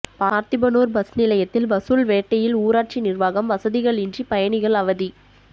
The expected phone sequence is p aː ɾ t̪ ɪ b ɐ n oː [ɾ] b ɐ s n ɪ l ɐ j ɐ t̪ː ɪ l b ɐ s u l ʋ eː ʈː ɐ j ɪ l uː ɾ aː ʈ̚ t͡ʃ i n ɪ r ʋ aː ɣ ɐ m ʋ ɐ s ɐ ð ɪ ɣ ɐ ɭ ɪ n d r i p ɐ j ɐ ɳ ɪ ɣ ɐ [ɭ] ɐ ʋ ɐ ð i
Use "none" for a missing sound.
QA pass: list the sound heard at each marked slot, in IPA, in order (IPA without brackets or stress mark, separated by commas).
ɾ, ɭ